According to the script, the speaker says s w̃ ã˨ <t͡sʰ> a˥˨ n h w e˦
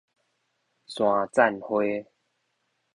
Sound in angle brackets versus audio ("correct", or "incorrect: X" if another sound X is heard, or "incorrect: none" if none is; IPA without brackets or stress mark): incorrect: t͡s